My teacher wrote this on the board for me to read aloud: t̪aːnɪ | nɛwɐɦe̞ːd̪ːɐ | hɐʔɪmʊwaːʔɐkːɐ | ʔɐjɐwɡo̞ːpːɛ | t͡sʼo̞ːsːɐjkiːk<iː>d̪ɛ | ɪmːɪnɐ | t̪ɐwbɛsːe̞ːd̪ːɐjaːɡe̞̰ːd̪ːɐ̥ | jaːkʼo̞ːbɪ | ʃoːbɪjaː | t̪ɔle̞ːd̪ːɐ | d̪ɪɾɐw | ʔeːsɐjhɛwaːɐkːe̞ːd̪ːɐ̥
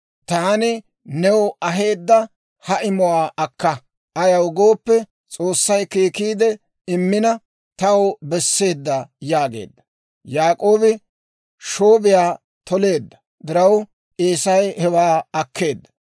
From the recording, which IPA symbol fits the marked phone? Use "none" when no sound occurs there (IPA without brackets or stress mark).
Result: iː